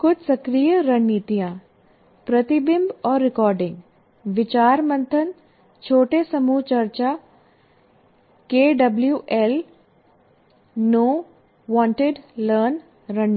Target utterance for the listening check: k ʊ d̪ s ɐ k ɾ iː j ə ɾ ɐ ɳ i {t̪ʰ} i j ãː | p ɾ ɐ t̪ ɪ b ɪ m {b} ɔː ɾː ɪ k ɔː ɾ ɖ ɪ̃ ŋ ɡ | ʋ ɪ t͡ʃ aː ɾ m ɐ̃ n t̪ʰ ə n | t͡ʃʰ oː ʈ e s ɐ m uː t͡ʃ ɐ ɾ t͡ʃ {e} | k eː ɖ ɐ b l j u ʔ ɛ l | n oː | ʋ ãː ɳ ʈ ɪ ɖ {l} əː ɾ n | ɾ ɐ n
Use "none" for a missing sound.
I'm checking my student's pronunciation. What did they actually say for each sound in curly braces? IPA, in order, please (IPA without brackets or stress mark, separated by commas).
t̪, b, a, l